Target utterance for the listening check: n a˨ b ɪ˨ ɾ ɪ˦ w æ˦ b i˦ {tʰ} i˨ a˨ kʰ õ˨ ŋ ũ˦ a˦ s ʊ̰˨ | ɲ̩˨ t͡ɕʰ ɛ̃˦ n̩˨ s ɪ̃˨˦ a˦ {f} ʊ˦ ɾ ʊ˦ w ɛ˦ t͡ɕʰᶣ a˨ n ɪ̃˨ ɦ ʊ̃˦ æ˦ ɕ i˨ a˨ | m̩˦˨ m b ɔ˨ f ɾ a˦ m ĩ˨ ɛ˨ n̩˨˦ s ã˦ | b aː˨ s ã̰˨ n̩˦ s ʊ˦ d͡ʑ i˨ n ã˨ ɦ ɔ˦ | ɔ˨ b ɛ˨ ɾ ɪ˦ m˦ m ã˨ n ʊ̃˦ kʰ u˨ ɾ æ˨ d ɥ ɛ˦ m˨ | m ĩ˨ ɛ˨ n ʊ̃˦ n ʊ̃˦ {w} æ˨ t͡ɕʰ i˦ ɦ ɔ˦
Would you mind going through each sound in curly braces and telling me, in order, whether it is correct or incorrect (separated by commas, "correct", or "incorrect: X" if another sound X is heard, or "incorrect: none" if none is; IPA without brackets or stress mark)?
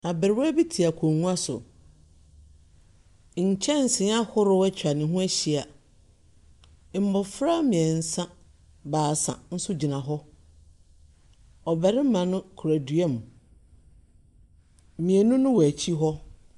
correct, incorrect: h, correct